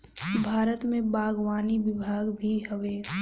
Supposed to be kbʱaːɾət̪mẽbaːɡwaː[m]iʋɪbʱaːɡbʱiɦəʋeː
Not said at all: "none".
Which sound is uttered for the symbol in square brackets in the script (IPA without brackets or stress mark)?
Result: n